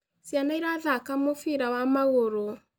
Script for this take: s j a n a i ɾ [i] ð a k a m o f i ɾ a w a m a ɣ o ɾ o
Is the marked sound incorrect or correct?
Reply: incorrect